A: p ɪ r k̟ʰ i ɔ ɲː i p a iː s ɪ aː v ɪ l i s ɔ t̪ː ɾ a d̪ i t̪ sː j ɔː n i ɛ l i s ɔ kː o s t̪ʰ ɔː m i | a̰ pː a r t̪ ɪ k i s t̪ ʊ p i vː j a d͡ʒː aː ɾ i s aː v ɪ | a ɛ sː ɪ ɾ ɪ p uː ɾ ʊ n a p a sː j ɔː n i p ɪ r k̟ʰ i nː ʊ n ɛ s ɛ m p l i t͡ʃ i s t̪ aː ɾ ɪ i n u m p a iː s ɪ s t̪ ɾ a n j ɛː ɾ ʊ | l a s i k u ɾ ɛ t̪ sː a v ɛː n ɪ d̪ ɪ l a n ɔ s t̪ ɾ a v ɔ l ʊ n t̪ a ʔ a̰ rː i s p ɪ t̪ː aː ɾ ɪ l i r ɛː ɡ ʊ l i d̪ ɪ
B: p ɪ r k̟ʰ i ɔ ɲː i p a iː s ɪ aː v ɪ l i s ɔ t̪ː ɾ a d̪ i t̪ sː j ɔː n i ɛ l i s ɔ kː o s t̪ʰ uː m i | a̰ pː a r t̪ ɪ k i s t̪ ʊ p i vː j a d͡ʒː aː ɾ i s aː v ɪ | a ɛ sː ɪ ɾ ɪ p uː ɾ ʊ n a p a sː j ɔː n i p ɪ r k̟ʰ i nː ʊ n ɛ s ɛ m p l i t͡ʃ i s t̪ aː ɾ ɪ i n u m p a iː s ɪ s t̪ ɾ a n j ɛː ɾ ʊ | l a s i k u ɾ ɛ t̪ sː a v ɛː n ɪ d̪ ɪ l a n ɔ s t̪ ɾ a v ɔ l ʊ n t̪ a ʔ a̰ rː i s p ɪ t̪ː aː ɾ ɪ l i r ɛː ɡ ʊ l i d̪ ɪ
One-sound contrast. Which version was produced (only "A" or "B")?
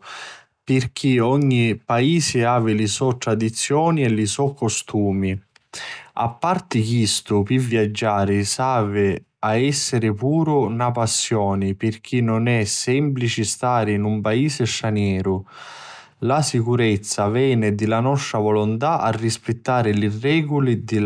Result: B